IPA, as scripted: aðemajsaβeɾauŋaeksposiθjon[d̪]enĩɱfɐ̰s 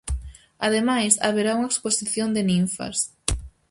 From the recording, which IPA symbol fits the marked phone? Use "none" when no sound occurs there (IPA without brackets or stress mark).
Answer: d̪